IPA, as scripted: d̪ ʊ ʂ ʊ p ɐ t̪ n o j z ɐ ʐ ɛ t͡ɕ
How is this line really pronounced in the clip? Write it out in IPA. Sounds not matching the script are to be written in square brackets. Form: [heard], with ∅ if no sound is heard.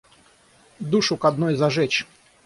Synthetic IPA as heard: d̪ [u] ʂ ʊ [k] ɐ [d̪] n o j z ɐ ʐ ɛ t͡ɕ